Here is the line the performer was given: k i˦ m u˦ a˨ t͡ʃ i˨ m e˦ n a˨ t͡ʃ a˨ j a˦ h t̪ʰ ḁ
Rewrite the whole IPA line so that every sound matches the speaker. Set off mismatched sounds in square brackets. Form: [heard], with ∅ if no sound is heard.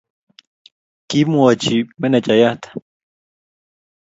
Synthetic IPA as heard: k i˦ m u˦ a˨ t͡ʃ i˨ m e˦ n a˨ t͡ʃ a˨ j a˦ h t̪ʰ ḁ